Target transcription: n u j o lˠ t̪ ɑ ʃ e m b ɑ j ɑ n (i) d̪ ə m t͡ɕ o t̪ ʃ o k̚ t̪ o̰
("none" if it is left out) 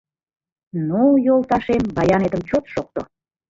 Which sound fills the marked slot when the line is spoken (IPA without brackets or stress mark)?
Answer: e